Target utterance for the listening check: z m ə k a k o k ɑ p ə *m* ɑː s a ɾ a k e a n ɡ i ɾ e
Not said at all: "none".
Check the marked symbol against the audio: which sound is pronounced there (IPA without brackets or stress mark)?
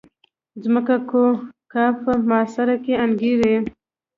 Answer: m